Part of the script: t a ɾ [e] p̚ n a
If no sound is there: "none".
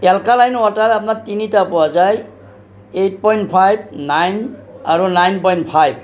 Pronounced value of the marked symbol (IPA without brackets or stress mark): a